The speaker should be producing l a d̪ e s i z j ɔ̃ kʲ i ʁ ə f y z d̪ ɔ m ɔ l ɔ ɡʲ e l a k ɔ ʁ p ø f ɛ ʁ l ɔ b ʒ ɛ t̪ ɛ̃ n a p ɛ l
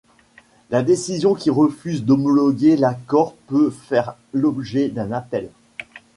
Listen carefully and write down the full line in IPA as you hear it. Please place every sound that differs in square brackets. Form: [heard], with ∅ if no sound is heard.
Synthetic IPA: l a d̪ e s i z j ɔ̃ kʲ i ʁ ə f y z d̪ ɔ m ɔ l ɔ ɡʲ e l a k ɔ ʁ p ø f ɛ ʁ l ɔ b ʒ ɛ [d̪] ɛ̃ n a p ɛ l